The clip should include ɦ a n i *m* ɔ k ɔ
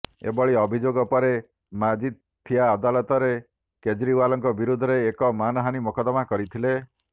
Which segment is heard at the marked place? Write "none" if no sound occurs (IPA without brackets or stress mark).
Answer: m